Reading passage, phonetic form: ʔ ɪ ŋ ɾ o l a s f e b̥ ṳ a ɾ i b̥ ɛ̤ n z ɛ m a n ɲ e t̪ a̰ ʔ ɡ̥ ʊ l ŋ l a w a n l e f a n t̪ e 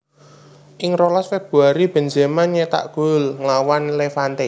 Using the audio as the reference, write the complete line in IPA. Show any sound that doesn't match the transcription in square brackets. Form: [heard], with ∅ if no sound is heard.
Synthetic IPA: ʔ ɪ ŋ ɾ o l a s f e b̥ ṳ a ɾ i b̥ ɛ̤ n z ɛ m a n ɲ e t̪ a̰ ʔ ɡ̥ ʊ l ŋ l a w a n l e f a n t̪ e